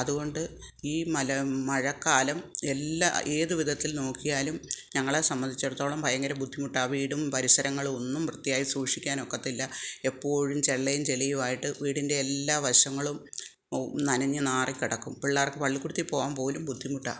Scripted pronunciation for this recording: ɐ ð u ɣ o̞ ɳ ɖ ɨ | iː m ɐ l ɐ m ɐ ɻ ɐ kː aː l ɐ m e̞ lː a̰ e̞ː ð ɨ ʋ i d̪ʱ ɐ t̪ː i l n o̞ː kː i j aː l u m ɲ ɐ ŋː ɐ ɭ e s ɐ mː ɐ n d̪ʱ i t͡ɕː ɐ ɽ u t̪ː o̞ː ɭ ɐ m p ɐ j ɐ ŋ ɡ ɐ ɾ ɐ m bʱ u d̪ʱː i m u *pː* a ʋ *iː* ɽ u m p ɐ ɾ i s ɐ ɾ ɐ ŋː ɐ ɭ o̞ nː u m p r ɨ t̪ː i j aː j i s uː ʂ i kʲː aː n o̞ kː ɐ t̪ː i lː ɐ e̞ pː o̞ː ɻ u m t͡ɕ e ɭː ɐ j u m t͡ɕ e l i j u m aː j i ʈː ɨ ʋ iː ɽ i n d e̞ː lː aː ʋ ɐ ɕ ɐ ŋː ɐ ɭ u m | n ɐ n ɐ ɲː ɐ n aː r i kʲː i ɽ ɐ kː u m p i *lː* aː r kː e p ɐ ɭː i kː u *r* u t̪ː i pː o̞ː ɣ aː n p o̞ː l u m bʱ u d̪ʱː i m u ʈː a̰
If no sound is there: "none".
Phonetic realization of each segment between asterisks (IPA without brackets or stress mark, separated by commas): ʈː, iː, ɭː, ɽ